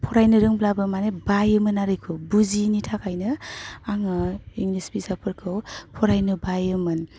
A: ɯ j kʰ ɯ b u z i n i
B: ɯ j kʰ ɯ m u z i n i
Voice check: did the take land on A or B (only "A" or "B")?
A